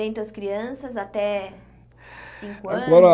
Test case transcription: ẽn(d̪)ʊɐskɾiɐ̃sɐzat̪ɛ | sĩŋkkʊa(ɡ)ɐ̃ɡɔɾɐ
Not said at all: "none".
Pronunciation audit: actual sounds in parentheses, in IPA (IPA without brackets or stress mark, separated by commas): t̪, none